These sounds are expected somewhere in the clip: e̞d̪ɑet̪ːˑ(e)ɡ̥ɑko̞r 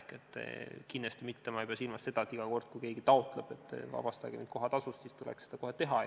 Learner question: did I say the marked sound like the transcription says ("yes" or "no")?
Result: no